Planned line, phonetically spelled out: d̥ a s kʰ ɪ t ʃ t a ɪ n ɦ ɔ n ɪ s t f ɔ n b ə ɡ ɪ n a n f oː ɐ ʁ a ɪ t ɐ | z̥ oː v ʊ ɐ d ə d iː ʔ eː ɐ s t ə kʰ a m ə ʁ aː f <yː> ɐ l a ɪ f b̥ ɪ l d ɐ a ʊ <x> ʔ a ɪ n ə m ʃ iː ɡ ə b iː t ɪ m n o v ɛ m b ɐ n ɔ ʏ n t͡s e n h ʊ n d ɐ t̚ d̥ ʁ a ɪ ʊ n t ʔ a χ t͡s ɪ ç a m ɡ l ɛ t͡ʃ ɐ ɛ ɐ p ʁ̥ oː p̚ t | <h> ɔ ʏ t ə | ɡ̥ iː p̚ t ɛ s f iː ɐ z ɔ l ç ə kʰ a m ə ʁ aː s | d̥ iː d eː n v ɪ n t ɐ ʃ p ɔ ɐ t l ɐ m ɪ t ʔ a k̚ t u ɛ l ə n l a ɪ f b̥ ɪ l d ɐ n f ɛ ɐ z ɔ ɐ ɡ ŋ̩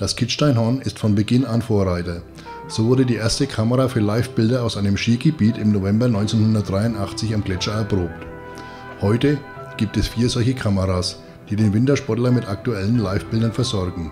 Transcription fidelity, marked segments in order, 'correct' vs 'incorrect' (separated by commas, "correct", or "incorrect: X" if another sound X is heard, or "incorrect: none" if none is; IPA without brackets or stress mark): correct, incorrect: s, correct